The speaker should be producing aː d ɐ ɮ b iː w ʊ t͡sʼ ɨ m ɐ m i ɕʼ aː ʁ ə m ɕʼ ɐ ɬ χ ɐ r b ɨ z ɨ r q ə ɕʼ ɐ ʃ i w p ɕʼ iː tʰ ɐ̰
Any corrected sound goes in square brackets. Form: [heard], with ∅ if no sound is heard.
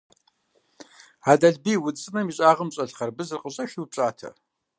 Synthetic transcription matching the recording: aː d ɐ ɮ b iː w ʊ t͡sʼ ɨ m ɐ m i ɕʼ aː ʁ ə m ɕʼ ɐ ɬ χ ɐ r b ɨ z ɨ r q ə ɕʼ ɐ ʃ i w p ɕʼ [aː] tʰ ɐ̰